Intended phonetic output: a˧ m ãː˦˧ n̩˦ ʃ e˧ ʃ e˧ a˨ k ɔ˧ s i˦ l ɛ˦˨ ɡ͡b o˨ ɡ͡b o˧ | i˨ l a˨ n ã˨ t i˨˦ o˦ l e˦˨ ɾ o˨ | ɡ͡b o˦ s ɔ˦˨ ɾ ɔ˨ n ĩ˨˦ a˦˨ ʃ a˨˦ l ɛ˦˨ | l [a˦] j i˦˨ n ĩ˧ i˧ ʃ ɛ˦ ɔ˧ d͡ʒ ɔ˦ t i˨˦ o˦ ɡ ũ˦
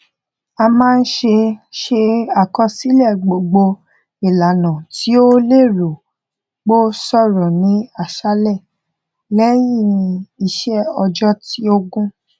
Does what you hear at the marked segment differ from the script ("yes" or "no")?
yes